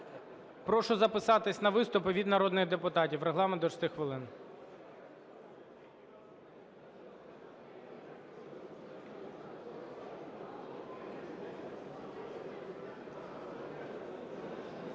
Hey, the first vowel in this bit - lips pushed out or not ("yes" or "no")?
yes